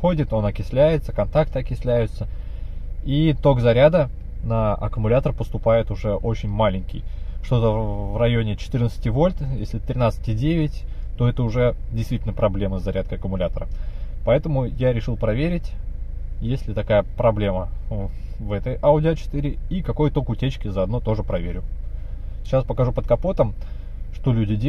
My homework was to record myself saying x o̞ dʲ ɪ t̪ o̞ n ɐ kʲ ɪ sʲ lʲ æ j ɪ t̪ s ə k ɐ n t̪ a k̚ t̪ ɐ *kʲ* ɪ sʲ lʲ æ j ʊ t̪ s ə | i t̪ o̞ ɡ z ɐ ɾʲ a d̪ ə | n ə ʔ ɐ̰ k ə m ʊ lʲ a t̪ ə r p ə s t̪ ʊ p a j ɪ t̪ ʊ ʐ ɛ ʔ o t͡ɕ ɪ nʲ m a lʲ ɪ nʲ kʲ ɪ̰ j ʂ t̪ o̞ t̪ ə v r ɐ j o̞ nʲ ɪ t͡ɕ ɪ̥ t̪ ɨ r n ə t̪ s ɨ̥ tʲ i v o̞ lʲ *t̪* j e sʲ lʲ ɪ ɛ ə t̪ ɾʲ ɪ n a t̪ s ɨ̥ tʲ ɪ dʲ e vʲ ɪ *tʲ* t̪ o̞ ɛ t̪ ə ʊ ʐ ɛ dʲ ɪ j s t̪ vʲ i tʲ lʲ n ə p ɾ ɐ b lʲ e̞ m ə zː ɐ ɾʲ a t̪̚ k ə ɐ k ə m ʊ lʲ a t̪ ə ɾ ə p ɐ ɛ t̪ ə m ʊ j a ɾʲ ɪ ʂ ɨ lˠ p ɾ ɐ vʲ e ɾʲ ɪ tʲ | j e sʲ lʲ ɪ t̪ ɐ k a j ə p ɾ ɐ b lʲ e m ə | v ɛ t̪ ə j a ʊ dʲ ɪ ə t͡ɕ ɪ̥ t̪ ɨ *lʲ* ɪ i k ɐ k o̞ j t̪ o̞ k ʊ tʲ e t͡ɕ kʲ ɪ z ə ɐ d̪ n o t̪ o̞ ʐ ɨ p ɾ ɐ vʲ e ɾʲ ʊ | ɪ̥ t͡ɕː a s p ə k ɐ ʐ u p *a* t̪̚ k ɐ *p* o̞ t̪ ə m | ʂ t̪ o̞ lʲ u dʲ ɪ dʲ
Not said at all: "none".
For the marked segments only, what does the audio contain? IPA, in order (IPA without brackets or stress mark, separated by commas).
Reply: kʲ, t̪, tʲ, ɾʲ, ə, p